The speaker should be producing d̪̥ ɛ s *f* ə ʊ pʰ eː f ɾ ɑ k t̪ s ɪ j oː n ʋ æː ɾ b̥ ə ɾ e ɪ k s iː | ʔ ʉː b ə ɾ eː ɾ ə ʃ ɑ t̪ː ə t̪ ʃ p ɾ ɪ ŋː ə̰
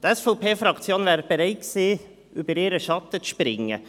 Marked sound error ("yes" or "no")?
no